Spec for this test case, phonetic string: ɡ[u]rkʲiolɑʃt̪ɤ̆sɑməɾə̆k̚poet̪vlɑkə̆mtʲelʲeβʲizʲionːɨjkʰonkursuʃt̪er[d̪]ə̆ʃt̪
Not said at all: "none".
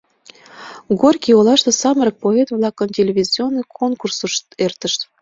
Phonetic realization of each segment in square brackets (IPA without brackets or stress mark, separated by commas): o, t̪